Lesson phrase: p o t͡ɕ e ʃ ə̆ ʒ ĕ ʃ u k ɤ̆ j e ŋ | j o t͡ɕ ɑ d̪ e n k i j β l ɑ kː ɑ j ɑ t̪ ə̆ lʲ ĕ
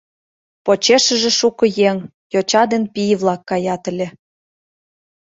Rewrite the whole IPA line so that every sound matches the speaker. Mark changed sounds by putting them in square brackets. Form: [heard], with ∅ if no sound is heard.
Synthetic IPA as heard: p o t͡ɕ e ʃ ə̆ ʒ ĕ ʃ u k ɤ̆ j e ŋ | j o t͡ɕ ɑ d̪ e n [p] i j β l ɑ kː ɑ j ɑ t̪ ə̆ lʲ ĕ

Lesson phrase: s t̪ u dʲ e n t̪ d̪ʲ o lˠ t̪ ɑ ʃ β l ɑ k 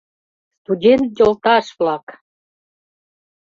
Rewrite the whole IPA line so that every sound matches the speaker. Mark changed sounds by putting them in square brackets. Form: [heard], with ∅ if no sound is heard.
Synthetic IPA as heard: s t̪ u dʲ e n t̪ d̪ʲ o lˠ t̪ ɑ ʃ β l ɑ k

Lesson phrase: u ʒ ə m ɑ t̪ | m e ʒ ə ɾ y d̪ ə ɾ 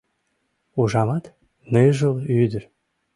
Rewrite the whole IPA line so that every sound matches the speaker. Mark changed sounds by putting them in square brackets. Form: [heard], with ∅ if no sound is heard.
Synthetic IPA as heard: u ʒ [ɑ] m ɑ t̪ | [n] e ʒ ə [l] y d̪ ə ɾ

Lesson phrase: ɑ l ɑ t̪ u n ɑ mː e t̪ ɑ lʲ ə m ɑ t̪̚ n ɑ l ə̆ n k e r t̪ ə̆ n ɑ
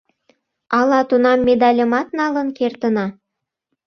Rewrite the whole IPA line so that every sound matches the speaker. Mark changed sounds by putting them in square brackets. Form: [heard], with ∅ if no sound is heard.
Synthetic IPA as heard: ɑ l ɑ t̪ u n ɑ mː e [d̪] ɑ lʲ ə m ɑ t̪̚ n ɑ l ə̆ n k e r t̪ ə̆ n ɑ

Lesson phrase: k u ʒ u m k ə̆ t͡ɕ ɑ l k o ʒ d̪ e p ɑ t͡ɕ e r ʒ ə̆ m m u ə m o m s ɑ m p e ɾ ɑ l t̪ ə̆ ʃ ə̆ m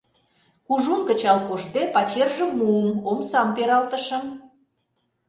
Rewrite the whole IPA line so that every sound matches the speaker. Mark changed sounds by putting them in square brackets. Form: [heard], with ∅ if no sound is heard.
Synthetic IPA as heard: k u ʒ u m k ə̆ t͡ɕ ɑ l k o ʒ d̪ e p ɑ t͡ɕ e r ʒ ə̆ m m u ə m o m s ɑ m p e ɾ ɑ l t̪ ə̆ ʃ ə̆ m

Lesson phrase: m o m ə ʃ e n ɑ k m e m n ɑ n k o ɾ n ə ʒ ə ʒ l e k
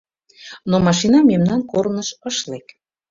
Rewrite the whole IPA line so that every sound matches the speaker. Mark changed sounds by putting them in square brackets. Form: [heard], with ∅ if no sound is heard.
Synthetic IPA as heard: [n] o m [ɑ] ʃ [i] n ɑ [∅] m e m n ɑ n k o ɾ n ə [ʃ] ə [ʃ] l e k

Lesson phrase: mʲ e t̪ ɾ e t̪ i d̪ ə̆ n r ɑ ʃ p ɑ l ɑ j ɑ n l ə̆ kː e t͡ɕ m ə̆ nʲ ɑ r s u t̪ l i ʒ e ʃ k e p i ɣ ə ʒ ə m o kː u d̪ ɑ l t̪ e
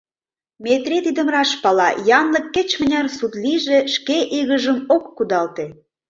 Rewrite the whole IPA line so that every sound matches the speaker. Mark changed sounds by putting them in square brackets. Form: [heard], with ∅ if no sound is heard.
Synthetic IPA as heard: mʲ e t̪ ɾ e t̪ i d̪ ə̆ [m] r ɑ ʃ p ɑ l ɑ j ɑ n l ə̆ kː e t͡ɕ m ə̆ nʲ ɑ r s u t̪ l i ʒ e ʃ k e [ʔ] i ɣ ə ʒ ə m o kː u d̪ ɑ l t̪ e

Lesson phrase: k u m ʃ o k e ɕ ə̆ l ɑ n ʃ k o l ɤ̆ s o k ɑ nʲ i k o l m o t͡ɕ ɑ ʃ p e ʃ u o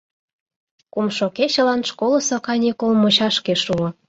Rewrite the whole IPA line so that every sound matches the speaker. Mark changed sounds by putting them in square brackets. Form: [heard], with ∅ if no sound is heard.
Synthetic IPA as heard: k u m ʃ o k e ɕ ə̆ l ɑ n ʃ k o l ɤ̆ s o k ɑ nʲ i k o l m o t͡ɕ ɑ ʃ [k] e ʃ u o

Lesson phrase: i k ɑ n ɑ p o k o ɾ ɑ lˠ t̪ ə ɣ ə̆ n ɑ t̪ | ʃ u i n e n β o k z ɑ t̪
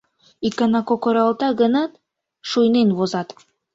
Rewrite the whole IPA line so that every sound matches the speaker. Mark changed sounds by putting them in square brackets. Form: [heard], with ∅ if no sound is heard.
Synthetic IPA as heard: i k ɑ n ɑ [k] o k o ɾ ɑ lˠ t̪ [ɑ] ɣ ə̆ n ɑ t̪ | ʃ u [j] n e n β o [∅] z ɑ t̪

